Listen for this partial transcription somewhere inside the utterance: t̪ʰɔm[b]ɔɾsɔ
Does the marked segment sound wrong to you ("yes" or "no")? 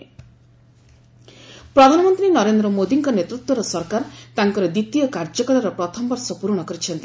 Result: no